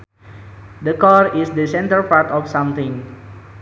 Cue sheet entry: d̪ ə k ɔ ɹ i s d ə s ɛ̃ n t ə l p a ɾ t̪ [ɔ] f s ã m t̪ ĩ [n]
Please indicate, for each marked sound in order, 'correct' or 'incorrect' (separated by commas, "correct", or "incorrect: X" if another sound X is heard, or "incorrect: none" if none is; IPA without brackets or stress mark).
correct, incorrect: ŋ